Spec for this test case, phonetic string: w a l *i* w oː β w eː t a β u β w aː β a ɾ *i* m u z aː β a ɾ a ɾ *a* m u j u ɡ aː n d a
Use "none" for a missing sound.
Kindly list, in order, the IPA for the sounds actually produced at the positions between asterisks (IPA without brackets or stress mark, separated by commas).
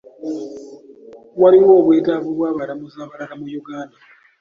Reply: i, a, a